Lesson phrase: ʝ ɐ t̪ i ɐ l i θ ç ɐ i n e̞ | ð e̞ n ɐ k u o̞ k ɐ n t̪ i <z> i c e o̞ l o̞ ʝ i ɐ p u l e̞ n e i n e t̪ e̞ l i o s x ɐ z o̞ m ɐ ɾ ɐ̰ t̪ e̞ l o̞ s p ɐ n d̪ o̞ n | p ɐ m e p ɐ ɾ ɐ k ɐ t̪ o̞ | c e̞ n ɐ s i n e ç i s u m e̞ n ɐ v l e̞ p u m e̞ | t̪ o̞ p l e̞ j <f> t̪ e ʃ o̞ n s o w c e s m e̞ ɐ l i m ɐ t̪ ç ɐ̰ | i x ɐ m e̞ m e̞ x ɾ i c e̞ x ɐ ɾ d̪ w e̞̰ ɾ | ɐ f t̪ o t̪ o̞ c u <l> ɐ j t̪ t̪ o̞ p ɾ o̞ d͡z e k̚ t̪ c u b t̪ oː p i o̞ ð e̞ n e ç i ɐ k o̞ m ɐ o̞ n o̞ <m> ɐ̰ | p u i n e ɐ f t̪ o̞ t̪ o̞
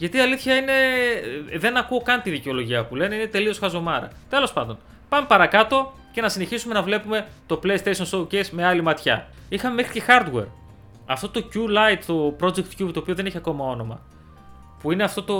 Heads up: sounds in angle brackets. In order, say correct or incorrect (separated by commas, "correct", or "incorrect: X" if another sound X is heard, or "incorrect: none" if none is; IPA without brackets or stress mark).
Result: incorrect: ð, incorrect: s, correct, correct